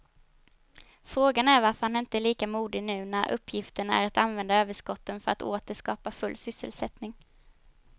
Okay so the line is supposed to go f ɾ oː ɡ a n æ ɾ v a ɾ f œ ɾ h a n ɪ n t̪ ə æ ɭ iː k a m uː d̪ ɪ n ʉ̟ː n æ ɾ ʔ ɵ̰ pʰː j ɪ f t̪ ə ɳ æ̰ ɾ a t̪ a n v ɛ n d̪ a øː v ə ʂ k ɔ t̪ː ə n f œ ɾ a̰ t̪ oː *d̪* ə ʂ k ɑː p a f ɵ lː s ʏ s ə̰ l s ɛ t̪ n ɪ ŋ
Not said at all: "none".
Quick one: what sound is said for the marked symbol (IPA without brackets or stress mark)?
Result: t̪